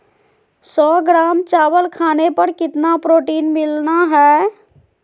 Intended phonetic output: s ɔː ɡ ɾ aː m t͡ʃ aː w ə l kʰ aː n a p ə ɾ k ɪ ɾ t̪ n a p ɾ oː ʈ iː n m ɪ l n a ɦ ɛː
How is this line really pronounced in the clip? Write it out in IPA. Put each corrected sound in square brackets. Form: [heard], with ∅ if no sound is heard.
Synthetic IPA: s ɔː ɡ ɾ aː m t͡ʃ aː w ə l kʰ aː n [e] p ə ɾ k ɪ [∅] t̪ n a p ɾ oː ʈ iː n m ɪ l n a ɦ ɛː